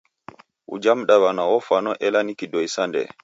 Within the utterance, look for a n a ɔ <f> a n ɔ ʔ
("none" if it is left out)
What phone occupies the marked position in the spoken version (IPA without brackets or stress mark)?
f